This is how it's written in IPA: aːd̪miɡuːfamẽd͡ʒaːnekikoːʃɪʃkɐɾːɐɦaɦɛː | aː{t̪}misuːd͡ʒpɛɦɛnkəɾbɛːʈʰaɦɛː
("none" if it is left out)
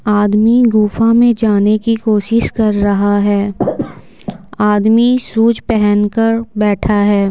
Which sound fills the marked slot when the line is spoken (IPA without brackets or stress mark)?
d̪